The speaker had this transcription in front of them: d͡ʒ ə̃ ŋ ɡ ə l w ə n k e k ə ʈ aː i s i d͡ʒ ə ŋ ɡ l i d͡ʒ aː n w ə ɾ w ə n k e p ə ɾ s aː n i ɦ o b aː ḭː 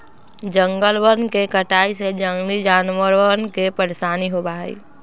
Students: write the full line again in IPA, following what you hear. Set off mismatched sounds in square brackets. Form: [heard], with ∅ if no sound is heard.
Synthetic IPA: d͡ʒ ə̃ ŋ ɡ ə l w ə n k e k ə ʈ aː i s [e] d͡ʒ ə ŋ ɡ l i d͡ʒ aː n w ə ɾ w ə n k e p ə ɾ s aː n i ɦ o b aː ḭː